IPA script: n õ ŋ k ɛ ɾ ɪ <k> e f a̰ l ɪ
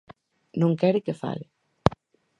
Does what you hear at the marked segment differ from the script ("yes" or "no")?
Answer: no